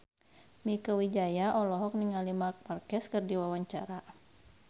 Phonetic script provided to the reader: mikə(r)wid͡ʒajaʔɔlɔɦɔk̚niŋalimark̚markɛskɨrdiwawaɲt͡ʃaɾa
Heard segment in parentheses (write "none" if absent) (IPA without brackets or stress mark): none